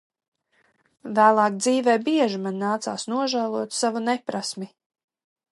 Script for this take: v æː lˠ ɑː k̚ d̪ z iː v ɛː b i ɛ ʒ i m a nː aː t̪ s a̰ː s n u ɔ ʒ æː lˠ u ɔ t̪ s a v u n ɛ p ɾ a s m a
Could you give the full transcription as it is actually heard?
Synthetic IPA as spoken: v æː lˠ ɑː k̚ d̪ z iː v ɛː b i ɛ ʒ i m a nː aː t̪ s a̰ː s n u ɔ ʒ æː lˠ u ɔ t̪ s a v u n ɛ p ɾ a s m i